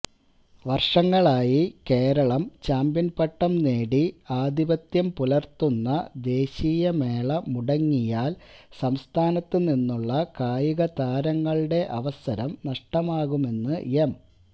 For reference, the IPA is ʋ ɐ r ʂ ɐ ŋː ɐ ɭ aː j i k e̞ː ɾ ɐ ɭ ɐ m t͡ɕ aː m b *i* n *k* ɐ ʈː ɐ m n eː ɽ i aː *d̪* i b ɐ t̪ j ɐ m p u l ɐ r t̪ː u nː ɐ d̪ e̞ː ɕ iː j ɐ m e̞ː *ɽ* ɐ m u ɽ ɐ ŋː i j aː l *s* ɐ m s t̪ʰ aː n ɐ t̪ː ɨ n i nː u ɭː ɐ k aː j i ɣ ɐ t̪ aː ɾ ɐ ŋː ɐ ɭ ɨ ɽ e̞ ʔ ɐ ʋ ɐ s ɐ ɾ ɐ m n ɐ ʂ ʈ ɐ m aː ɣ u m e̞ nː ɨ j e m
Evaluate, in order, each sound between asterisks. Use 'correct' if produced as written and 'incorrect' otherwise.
correct, incorrect: p, correct, incorrect: ɭ, correct

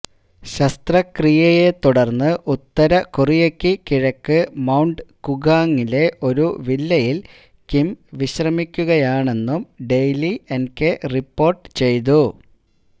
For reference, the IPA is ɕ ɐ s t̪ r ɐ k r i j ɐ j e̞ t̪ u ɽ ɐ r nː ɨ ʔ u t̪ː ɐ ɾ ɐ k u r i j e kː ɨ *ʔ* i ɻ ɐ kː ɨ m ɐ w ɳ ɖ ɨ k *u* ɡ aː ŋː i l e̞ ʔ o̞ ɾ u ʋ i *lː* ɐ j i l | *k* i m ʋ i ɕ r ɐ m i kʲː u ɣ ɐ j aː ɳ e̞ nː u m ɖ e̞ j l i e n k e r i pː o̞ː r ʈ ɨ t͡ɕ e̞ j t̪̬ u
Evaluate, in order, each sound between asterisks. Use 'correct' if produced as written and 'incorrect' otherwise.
incorrect: k, correct, correct, correct

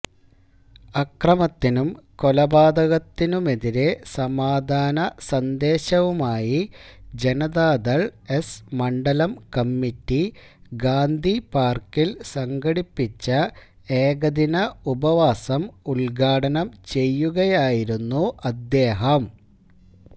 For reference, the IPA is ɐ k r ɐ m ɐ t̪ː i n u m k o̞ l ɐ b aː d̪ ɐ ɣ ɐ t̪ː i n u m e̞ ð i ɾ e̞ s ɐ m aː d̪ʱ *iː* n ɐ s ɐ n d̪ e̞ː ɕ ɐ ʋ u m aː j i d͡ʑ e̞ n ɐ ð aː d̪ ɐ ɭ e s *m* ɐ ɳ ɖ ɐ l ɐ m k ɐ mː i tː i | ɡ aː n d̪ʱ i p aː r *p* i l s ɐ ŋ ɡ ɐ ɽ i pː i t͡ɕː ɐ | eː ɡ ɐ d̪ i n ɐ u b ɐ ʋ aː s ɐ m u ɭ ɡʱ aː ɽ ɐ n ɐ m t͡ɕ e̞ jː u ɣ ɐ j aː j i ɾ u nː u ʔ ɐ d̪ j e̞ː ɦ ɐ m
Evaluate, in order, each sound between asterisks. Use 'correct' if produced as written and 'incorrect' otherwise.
incorrect: aː, correct, incorrect: k

